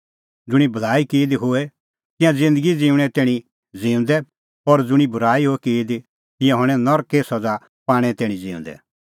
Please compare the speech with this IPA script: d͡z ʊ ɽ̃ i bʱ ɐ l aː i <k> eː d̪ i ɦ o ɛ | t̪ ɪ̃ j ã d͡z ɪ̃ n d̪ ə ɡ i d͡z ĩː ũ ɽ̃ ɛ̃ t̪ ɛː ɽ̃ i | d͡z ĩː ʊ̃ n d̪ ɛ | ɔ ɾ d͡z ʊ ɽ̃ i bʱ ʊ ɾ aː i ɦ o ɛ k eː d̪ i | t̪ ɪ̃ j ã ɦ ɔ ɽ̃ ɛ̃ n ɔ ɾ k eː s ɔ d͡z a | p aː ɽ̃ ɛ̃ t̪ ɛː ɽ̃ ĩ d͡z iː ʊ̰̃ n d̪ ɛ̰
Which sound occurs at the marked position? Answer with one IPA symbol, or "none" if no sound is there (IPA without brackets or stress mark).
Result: k